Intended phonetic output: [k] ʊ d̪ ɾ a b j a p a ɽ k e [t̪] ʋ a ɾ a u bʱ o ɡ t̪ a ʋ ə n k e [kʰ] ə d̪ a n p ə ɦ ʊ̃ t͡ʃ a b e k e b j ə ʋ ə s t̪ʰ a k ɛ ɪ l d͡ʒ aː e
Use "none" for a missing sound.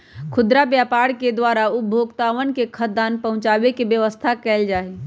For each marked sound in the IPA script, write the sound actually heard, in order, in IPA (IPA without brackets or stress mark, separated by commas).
kʰ, d̪, kʰ